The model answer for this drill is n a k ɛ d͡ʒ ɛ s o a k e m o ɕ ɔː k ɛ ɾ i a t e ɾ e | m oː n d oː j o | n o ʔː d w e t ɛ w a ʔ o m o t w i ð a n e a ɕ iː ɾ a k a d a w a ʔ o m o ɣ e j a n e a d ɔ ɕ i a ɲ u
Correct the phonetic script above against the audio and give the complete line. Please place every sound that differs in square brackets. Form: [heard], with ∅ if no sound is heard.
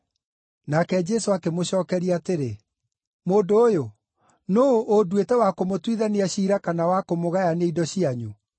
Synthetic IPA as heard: n a k ɛ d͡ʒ ɛ s o a k e m o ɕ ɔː k ɛ ɾ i a t e ɾ e | m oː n d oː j o | n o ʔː d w e t ɛ w a [k] o m o t w i ð a n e a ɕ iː ɾ a k a [n] a w a [k] o m o ɣ [a] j a n e [i] d ɔ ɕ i a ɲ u